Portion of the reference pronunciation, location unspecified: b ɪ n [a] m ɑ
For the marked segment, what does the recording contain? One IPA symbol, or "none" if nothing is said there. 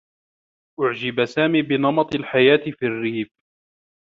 ɑ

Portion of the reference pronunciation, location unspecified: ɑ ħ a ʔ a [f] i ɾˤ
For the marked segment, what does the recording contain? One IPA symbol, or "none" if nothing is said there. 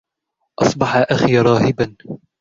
x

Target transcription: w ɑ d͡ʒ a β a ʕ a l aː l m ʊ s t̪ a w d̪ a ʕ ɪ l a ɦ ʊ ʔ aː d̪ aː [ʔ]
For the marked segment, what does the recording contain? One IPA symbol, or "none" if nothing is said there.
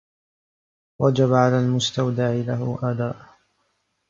ʔ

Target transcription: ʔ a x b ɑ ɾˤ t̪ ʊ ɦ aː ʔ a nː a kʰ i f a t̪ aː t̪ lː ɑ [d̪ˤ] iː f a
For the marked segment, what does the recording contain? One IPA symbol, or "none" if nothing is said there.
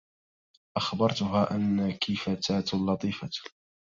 t̪ˤ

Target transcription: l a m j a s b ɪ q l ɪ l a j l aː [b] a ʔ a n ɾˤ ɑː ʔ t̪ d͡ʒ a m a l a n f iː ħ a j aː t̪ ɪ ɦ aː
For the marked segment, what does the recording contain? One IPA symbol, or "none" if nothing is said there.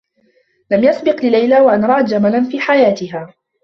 w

